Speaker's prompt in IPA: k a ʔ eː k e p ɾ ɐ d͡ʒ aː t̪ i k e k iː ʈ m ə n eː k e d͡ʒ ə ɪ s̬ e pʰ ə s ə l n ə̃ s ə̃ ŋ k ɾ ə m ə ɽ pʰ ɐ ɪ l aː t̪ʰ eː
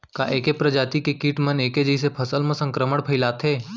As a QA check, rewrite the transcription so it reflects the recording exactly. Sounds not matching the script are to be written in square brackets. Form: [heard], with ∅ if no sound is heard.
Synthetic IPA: k a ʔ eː k e p ɾ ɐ d͡ʒ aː t̪ i k e k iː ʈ m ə n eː k e d͡ʒ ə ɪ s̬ e pʰ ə s ə l [m] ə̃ s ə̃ ŋ k ɾ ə m ə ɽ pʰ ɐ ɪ l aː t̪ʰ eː